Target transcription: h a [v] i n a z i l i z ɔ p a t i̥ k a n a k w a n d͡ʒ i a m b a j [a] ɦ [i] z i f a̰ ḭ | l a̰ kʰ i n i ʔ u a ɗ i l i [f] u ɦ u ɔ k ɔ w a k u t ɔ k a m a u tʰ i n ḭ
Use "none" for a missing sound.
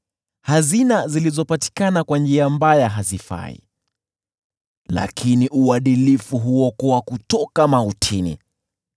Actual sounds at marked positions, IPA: z, a, a, f

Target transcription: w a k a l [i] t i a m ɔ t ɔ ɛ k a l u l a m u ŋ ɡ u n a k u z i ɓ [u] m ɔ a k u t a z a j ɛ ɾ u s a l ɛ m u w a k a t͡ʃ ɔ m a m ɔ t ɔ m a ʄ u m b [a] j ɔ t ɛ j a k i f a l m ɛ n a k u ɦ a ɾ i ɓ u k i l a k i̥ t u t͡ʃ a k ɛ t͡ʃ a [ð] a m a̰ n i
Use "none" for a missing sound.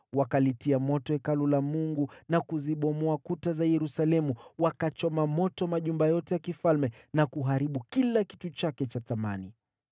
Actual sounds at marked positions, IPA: i, ɔ, a, θ

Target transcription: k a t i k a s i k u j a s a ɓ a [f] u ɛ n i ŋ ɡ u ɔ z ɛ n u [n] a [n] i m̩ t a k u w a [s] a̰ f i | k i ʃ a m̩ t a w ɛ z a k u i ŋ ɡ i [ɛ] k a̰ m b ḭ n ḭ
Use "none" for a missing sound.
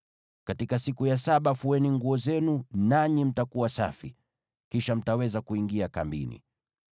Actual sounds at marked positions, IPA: f, n, ɲ, s, a

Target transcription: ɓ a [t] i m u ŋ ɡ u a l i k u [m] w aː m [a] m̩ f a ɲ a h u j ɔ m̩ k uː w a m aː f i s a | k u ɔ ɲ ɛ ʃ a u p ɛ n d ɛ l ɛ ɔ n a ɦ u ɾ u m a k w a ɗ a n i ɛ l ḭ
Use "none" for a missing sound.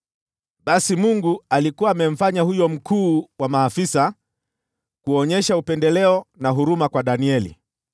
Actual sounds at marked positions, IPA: s, none, ɛ

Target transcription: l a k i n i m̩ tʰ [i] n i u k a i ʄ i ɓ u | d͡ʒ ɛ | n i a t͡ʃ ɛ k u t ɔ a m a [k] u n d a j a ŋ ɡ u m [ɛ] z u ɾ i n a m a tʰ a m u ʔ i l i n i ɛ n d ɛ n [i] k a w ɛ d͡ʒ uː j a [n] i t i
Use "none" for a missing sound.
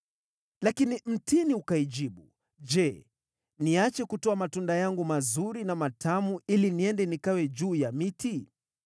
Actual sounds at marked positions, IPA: i, t, a, i, m

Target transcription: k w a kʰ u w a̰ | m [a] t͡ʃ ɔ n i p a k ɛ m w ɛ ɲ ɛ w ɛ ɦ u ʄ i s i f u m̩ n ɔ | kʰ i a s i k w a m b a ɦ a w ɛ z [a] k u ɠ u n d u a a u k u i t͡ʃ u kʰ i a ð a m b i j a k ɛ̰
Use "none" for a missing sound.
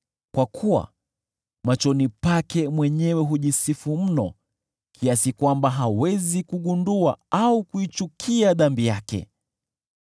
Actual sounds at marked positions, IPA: a, i

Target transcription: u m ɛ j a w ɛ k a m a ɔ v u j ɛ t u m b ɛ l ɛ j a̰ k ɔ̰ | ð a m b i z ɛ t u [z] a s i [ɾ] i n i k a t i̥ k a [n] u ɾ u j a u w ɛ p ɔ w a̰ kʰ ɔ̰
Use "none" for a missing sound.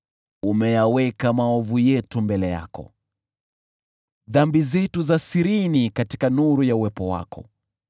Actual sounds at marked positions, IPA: z, ɾ, n

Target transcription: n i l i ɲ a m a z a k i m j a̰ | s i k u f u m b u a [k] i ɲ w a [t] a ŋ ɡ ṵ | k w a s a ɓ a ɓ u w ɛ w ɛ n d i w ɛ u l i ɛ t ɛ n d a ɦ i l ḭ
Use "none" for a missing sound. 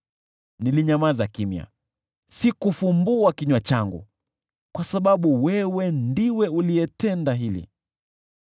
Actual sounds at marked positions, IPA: k, t͡ʃ

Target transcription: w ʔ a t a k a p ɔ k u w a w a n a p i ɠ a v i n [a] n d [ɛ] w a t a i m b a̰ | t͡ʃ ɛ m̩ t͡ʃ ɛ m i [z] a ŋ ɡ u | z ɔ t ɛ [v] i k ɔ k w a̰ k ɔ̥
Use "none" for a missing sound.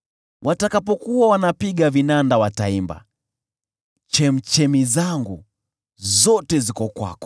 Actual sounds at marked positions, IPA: a, a, z, z

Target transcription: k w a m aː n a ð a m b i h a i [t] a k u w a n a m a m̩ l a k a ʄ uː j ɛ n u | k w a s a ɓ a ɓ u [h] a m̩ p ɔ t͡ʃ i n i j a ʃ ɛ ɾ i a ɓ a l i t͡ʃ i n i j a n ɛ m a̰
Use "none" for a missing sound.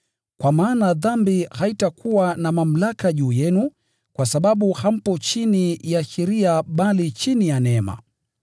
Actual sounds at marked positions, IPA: t, h

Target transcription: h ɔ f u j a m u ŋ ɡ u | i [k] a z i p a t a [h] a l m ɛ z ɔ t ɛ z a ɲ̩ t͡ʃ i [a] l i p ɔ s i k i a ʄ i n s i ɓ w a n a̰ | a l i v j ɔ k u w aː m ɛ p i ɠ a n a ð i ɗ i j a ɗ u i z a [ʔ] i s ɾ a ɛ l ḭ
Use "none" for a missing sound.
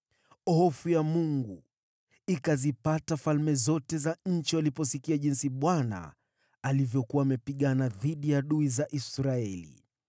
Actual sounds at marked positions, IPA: k, f, a, ʔ

